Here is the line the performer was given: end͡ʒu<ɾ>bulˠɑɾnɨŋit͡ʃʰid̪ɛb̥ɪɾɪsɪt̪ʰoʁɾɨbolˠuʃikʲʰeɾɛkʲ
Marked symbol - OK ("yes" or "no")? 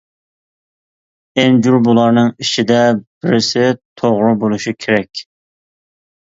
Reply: yes